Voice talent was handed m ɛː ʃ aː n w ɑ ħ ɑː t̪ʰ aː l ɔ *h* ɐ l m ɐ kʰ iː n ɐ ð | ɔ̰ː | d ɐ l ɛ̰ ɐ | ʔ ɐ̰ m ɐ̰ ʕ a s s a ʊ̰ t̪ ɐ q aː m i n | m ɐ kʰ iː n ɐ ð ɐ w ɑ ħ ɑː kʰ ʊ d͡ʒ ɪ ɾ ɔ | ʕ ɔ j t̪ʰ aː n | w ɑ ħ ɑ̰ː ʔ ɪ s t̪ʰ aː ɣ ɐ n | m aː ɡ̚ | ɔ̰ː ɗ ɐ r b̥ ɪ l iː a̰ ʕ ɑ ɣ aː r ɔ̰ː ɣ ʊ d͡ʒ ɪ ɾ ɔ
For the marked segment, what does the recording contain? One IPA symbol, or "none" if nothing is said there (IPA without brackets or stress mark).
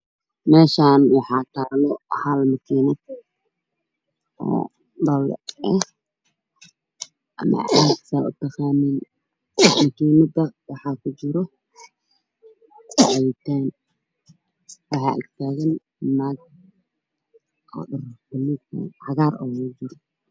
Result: h